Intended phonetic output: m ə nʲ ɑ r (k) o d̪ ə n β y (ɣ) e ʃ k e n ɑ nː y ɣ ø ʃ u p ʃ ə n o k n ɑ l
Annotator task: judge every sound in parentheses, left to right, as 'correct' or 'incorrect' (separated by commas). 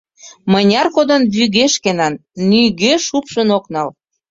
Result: correct, correct